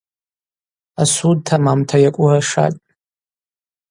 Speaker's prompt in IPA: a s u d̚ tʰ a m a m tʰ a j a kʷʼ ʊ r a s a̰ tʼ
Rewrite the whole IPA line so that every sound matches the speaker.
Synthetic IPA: a s u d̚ tʰ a m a m tʰ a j a kʷʼ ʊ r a ʂ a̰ tʼ